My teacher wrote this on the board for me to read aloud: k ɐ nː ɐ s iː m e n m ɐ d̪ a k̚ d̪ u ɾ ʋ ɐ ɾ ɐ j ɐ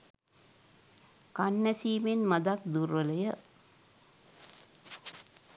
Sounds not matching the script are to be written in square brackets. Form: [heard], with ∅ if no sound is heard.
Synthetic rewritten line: k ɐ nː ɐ s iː m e n m ɐ d̪ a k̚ d̪ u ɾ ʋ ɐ [l] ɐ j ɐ